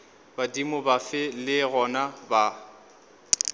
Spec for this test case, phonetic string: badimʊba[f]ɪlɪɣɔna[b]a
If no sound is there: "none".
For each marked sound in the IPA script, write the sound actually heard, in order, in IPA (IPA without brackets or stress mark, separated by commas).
f, b